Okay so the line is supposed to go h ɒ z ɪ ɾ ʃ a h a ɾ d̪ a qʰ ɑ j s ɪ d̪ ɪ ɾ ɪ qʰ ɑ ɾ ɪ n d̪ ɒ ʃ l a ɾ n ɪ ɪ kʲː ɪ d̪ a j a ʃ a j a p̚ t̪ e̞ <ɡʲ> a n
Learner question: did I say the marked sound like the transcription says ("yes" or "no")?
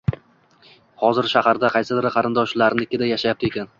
no